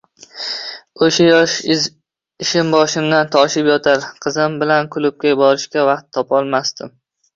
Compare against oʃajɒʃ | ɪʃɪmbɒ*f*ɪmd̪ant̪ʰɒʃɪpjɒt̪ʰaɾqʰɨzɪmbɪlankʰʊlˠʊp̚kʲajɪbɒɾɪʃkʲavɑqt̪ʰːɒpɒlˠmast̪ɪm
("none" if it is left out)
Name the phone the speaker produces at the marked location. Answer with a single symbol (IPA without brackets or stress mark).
ʃ